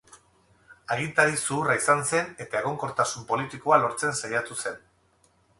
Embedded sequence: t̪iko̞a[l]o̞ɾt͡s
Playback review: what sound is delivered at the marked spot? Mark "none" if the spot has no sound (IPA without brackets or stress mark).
l